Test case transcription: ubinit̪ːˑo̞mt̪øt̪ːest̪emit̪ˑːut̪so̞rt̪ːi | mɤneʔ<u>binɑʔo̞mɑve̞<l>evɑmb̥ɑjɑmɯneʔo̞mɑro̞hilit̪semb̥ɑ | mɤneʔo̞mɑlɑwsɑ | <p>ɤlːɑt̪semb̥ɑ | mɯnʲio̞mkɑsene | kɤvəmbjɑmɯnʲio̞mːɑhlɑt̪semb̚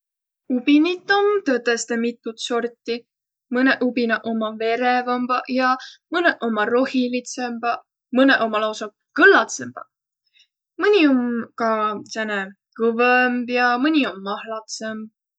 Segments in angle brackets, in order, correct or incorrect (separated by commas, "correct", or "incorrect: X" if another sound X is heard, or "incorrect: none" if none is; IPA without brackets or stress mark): correct, incorrect: ɾ, incorrect: k